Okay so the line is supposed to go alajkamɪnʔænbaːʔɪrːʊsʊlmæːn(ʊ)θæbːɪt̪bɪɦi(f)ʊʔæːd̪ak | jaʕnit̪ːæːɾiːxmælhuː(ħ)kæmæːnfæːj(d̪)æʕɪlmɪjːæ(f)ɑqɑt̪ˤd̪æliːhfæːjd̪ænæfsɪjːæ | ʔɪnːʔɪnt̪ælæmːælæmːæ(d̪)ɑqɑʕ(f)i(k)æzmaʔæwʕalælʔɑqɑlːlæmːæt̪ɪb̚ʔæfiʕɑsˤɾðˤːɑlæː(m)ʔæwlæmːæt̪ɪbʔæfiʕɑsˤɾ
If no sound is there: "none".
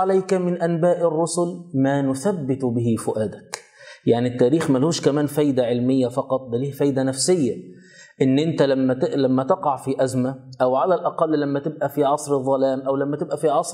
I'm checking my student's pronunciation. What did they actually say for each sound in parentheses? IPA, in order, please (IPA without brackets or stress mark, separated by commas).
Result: ʊ, f, ʃ, d̪, f, t̪, f, ʔ, m